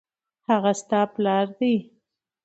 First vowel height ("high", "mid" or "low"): low